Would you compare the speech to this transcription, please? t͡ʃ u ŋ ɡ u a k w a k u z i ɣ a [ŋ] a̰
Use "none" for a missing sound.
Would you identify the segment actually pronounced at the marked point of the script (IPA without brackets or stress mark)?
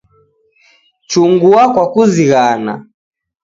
n